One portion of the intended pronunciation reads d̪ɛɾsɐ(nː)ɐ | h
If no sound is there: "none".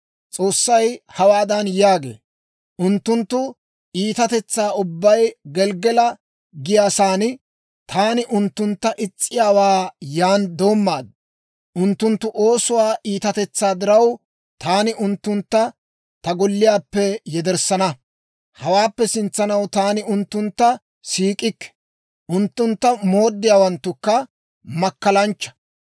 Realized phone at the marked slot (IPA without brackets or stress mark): n